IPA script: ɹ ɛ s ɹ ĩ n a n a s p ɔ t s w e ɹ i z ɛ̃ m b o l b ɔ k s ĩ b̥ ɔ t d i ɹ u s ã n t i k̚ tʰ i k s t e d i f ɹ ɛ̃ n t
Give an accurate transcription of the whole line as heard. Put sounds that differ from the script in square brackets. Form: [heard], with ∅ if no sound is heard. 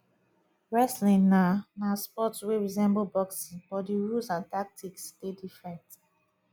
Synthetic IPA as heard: ɹ ɛ s [l] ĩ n a n a s p ɔ t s w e ɹ i z ɛ̃ m b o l b ɔ k s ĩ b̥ ɔ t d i ɹ u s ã n t [a] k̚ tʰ i k s t e d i f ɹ ɛ̃ n t